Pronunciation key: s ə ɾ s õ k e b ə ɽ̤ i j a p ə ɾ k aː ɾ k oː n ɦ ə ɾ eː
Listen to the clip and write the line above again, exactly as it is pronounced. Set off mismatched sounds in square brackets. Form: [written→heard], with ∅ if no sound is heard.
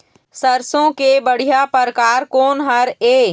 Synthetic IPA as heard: s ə ɾ s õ k e b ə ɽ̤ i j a p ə ɾ k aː ɾ k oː n ɦ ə ɾ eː